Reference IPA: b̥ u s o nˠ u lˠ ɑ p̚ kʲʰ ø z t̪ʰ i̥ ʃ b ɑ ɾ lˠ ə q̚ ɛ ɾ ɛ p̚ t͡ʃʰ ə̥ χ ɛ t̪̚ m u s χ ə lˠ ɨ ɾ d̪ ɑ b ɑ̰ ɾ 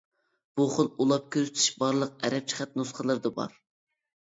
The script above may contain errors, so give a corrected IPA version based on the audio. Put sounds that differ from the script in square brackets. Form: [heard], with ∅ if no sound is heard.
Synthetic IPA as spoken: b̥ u [χ] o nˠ u lˠ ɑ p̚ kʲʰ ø z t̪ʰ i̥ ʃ b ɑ ɾ lˠ ə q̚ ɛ ɾ ɛ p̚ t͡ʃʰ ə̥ χ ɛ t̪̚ [n] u s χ ə lˠ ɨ ɾ d̪ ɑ b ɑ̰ ɾ